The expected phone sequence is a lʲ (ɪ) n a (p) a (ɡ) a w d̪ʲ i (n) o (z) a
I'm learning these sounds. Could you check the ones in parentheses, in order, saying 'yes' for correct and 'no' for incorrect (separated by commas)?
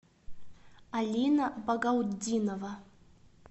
no, no, yes, yes, no